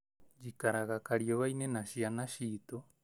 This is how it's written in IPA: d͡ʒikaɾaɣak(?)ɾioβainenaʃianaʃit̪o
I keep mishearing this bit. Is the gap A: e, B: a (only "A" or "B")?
B